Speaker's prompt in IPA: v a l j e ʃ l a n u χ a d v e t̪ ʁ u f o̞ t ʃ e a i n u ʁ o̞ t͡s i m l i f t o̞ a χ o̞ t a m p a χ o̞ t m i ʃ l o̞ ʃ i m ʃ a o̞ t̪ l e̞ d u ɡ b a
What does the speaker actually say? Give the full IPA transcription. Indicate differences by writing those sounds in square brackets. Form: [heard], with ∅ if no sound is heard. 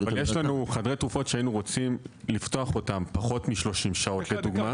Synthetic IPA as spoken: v a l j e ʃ l a n u χ a d [ʁ] e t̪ ʁ u f o̞ t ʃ e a i n u ʁ o̞ t͡s i m l i f t o̞ a χ o̞ t a m p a χ o̞ t m i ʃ l o̞ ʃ i m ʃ a o̞ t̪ l e̞ d u ɡ [m] a